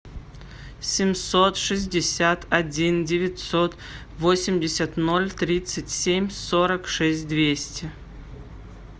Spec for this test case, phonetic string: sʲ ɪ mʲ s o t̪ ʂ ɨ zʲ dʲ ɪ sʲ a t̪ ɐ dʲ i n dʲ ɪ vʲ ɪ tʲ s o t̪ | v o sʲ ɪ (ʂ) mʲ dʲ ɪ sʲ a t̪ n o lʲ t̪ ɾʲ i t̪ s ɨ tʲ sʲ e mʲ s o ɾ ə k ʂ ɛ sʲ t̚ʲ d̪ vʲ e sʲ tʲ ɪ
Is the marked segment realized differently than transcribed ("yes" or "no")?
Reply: yes